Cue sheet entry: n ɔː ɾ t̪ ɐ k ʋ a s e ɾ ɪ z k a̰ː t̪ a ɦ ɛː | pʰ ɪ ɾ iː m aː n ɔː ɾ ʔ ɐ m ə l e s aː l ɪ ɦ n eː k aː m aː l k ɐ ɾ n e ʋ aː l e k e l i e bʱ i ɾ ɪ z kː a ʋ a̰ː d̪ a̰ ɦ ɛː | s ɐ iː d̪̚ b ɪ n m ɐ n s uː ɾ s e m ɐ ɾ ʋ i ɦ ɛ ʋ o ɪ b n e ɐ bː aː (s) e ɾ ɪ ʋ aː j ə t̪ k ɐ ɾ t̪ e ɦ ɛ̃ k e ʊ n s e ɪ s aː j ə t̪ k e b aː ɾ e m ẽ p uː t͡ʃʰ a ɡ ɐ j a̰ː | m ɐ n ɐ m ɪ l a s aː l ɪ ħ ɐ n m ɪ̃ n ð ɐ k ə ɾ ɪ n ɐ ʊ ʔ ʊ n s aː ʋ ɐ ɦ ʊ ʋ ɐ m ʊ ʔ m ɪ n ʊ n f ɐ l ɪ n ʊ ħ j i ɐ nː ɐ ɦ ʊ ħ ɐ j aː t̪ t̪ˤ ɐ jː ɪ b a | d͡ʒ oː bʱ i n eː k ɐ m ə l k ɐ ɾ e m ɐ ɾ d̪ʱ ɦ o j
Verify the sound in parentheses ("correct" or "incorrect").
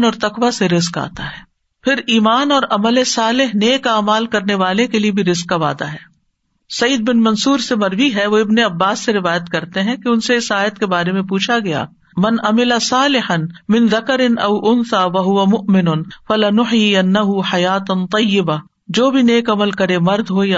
incorrect